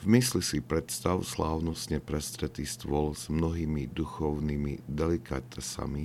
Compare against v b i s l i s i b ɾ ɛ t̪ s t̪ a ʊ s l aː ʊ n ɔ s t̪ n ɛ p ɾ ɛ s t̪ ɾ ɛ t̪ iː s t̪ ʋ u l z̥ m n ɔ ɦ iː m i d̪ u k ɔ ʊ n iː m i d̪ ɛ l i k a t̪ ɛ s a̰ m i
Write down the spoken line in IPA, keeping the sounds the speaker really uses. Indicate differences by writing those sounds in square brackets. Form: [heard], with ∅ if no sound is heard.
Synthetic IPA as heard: v [m] i s l i s i [p] ɾ ɛ t̪ s t̪ a ʊ s l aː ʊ n ɔ s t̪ [ɲ] ɛ p ɾ ɛ s t̪ ɾ ɛ t̪ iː s t̪ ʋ [ɔ] l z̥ m n ɔ ɦ iː m i d̪ u [x] ɔ ʊ n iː m i d̪ ɛ l i k a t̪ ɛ s a̰ m i